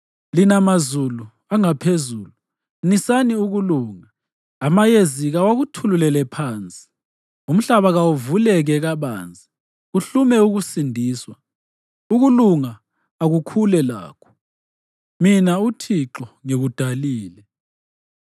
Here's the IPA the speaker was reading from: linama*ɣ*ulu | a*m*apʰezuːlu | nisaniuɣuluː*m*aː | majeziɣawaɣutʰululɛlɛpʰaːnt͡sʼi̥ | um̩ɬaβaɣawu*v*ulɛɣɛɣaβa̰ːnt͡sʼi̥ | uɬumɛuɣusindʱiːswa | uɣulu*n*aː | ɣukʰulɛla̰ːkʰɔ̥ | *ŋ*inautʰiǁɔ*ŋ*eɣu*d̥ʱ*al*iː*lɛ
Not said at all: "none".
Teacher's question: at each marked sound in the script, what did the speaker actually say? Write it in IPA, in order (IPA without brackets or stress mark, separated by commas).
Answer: z, ŋ, ŋ, v, ŋ, m, ŋ, d̥ʱ, iː